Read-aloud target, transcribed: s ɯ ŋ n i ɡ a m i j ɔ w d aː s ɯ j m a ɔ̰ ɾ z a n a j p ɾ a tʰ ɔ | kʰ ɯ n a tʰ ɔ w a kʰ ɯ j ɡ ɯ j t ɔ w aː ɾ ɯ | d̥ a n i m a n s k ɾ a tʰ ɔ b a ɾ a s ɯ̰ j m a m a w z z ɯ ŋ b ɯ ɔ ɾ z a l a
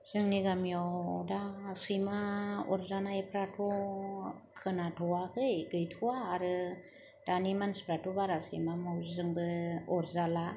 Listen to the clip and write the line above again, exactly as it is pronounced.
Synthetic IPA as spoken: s ɯ ŋ n i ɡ a m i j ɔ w d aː s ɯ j m a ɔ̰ ɾ z a n a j p ɾ a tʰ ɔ | kʰ ɯ n a tʰ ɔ w a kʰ ɯ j ɡ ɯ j tʰ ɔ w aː ɾ ɯ | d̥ a n i m a n s p ɾ a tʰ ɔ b a ɾ a s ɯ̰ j m a m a w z z ɯ ŋ b ɯ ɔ ɾ z a l a